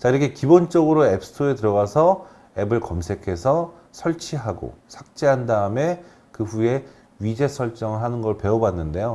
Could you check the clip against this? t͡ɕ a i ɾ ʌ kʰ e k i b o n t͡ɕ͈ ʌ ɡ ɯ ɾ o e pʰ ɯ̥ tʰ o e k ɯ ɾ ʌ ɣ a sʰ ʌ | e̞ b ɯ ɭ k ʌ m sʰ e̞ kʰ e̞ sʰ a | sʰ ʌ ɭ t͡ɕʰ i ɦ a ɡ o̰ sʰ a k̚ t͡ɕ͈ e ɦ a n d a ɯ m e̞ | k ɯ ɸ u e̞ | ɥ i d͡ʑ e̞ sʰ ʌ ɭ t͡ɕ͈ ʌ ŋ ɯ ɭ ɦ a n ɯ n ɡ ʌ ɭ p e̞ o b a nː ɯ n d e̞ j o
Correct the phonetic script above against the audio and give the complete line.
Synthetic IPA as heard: t͡ɕ a i ɾ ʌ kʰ e k i b o n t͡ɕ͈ ʌ ɡ ɯ ɾ o e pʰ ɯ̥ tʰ o e t ɯ ɾ ʌ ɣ a sʰ ʌ | e̞ b ɯ ɭ k ʌ m sʰ e̞ kʰ e̞ sʰ ʌ | sʰ ʌ ɭ t͡ɕʰ i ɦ a ɡ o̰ sʰ a k̚ t͡ɕ͈ e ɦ a n d a ɯ m e̞ | k ɯ ɸ u e̞ | ɥ i d͡ʑ e̞ sʰ ʌ ɭ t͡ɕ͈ ʌ ŋ ɯ ɭ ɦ a n ɯ n ɡ ʌ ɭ p e̞ o b a nː ɯ n d e̞ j o